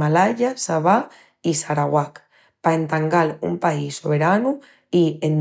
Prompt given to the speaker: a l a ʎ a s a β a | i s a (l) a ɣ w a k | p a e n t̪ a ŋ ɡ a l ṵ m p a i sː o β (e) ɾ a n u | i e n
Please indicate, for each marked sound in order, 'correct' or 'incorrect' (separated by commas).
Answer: incorrect, correct